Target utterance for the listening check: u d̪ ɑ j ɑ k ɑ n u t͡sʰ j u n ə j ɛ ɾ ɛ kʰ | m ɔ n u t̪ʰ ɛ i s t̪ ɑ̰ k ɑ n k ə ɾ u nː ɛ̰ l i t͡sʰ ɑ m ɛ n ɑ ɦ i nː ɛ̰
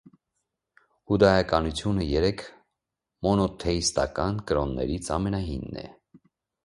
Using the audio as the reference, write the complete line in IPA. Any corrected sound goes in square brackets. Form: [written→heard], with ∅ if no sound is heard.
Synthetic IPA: u d̪ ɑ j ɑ k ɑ n u t͡sʰ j u n ə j ɛ ɾ ɛ kʰ | m ɔ n [u→ɔ] t̪ʰ ɛ i s t̪ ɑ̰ k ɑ n k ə ɾ [u→ɔ] nː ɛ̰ [l→ɾ] i t͡sʰ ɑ m ɛ n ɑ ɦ i nː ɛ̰